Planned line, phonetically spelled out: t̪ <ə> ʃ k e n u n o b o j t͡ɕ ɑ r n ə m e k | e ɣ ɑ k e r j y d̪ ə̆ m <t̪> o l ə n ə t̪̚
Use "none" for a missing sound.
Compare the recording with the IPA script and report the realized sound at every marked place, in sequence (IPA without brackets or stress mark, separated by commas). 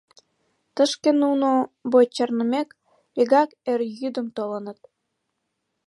ə, t̪